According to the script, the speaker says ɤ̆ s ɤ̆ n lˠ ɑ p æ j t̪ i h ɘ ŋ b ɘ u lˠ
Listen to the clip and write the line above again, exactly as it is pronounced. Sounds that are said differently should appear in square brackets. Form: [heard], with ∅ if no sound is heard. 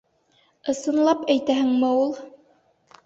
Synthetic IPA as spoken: ɤ̆ s ɤ̆ n lˠ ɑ p æ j t̪ [æ] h ɘ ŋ [m] ɘ u lˠ

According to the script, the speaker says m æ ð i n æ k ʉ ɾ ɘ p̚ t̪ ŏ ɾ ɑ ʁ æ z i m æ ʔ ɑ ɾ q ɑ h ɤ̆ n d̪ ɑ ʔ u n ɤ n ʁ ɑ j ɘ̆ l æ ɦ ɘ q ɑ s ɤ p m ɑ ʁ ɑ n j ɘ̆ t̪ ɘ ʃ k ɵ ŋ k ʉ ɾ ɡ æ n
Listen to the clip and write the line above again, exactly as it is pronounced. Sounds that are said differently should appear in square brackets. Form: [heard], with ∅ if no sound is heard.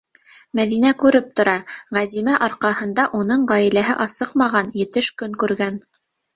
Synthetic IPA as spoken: m æ ð i n æ k ʉ ɾ ɘ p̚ t̪ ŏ ɾ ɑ ʁ æ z i m æ ʔ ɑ ɾ q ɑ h ɤ̆ n d̪ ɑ ʔ u n ɤ [ɴ] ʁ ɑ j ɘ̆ l æ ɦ ɘ [ʔ] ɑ s ɤ [q] m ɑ ʁ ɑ n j ɘ̆ t̪ ɘ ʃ k ɵ ŋ k ʉ ɾ ɡ æ n

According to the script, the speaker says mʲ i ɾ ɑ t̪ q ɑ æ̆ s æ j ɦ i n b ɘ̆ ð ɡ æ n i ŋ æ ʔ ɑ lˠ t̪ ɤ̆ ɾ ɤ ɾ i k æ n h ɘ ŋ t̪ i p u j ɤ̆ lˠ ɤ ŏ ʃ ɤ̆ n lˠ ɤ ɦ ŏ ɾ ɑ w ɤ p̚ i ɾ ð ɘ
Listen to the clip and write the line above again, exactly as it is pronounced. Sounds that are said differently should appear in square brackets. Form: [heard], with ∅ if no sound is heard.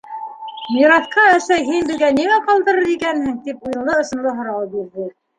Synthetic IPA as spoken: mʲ i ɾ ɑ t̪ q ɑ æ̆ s æ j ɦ i n b ɘ̆ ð ɡ æ n i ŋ æ [q] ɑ lˠ [d̪] ɤ̆ ɾ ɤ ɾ i k æ n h ɘ ŋ t̪ i p u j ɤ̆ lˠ ɤ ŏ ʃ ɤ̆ n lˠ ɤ ɦ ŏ ɾ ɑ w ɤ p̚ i ɾ ð ɘ

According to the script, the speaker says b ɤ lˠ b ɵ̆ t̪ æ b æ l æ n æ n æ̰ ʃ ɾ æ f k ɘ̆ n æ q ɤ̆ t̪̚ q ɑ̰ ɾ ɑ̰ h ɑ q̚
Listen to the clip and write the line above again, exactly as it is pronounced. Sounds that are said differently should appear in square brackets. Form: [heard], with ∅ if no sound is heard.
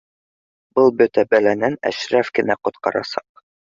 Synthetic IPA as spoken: b ɤ lˠ b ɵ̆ t̪ æ b æ l æ n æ n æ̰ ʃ ɾ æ f k ɘ̆ n æ q [ŏ] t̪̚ q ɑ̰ ɾ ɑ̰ [s] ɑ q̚

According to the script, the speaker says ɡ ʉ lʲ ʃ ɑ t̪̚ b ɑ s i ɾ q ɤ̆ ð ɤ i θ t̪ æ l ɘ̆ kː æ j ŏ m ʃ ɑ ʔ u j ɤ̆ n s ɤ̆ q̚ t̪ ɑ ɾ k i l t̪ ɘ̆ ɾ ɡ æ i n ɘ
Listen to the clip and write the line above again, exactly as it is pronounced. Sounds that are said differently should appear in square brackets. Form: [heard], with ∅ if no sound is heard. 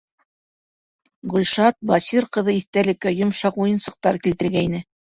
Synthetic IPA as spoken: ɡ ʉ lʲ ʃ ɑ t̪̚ b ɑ s i ɾ q ɤ̆ ð ɤ i θ t̪ æ l ɘ̆ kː æ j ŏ m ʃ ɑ [q] u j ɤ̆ n s ɤ̆ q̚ t̪ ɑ ɾ k i l t̪ ɘ̆ ɾ ɡ æ i n ɘ

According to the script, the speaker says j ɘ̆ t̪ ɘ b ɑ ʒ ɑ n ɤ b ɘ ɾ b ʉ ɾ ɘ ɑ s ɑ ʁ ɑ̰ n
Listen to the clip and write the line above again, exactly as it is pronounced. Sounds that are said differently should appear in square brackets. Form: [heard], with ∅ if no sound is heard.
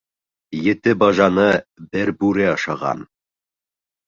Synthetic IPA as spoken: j ɘ̆ t̪ ɘ b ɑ ʒ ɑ n ɤ b ɘ ɾ b ʉ ɾ ɘ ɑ [ʃ] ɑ ʁ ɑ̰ n

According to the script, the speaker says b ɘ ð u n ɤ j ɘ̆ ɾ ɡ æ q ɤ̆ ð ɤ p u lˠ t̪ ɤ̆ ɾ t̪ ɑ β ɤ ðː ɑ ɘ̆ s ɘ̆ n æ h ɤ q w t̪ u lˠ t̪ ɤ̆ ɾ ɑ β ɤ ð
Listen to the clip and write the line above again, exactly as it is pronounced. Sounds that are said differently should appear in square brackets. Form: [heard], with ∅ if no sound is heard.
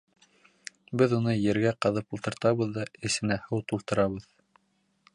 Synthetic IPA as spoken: b ɘ ð u n ɤ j ɘ̆ ɾ ɡ æ q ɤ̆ ð ɤ p u lˠ t̪ ɤ̆ ɾ t̪ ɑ β ɤ ðː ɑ ɘ̆ s ɘ̆ n æ h ɤ [∅] w t̪ u lˠ t̪ ɤ̆ ɾ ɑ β ɤ ð

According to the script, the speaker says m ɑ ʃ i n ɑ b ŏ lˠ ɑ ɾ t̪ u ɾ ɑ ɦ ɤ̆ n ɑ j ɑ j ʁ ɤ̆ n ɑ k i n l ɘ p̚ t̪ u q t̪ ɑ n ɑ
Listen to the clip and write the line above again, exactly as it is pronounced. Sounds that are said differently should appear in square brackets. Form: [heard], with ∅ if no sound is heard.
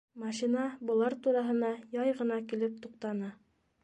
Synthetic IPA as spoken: m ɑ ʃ i n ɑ b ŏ lˠ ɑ ɾ t̪ u ɾ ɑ ɦ ɤ̆ n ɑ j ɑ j ʁ ɤ̆ n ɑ k i [∅] l ɘ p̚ t̪ u q t̪ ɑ n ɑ

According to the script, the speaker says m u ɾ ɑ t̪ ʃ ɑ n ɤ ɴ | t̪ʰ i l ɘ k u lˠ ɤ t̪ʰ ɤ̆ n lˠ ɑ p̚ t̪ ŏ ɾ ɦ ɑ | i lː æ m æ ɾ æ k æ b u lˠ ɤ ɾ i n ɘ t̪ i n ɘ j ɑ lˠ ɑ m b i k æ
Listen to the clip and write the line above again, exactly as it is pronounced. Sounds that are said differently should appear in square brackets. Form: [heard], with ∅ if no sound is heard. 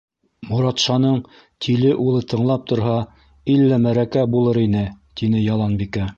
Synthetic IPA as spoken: m u ɾ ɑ t̪ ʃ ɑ n ɤ ɴ | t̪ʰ i l ɘ [ʔ] u lˠ ɤ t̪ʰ ɤ̆ [ɴ] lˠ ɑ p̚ t̪ ŏ ɾ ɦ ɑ | i lː æ m æ ɾ æ k æ b u lˠ ɤ ɾ i n ɘ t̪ i n ɘ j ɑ lˠ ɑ [n] b i k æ

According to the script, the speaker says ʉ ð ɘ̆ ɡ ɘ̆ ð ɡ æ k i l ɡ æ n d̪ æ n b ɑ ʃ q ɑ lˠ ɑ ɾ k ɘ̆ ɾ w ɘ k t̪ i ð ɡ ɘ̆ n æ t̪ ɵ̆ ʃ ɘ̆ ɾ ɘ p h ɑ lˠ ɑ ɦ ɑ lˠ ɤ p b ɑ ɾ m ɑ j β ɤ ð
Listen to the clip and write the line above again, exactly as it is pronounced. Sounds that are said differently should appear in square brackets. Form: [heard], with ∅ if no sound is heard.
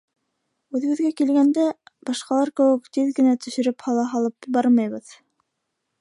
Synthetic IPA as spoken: ʉ ð ɘ̆ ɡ ɘ̆ ð ɡ æ k i l ɡ æ n d̪ æ [∅] b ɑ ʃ q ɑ lˠ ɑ ɾ k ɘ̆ [∅] w ɘ k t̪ i ð ɡ ɘ̆ n æ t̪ ɵ̆ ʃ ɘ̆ ɾ ɘ p h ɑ lˠ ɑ ɦ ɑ lˠ ɤ p b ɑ ɾ m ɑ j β ɤ ð

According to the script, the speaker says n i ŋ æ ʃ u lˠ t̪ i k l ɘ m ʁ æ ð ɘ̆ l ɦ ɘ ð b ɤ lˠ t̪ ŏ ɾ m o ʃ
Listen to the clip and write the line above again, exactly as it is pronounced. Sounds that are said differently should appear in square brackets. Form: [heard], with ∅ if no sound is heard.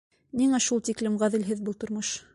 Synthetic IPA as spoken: n i ŋ æ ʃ u lˠ t̪ i k l ɘ m ʁ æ ð ɘ̆ l ɦ ɘ ð b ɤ lˠ t̪ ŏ ɾ m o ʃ

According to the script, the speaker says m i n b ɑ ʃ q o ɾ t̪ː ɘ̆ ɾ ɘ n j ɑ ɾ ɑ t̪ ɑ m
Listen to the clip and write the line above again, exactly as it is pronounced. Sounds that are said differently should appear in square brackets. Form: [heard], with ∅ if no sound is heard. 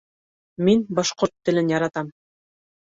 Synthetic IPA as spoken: m i n b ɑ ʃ q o ɾ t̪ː ɘ̆ [l] ɘ n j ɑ ɾ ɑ t̪ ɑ m

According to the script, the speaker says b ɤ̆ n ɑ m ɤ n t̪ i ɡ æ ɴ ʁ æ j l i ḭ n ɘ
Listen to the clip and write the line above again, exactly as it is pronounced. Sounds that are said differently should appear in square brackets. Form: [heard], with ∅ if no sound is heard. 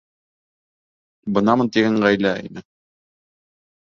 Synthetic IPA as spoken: b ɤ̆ n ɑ m ɤ n t̪ i ɡ æ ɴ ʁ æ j l [æ] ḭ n ɘ

